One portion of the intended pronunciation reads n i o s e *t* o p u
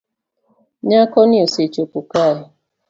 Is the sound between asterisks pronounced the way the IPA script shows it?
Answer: no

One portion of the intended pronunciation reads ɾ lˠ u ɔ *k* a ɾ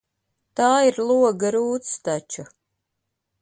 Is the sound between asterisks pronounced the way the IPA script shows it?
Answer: no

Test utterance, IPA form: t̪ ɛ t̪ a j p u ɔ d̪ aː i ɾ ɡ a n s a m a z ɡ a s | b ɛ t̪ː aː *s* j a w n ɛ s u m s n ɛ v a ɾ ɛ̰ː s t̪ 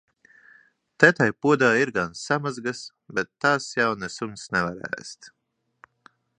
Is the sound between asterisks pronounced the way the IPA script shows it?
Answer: yes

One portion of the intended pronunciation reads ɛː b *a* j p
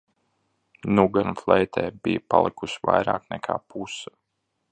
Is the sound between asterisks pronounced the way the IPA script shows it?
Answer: no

